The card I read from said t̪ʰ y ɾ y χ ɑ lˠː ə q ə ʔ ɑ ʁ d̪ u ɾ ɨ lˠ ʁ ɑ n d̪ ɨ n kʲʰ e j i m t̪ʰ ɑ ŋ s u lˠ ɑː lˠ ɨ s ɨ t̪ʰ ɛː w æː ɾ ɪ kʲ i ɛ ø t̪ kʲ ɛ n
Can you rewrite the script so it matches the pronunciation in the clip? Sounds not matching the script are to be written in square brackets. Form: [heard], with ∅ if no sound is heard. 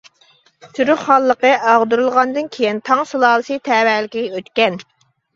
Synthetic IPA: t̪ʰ y ɾ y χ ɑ lˠː ə q ə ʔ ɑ ʁ d̪ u ɾ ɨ lˠ ʁ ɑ n d̪ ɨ n kʲʰ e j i [n] t̪ʰ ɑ ŋ s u lˠ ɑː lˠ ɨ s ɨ t̪ʰ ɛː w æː [l] ɪ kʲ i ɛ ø t̪ kʲ ɛ n